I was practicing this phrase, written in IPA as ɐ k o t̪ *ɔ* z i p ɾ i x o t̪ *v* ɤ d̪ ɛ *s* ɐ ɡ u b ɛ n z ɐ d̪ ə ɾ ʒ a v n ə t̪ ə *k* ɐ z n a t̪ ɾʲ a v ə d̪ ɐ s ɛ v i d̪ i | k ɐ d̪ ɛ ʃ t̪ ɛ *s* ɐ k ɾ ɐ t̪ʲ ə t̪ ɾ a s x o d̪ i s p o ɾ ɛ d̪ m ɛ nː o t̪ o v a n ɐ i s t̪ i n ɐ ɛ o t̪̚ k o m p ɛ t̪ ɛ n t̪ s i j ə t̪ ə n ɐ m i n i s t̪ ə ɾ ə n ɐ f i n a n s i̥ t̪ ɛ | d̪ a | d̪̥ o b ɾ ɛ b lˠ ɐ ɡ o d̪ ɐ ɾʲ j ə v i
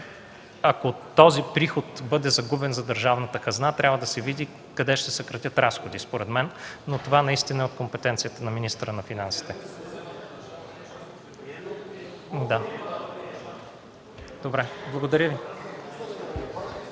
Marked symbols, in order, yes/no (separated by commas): yes, no, no, yes, yes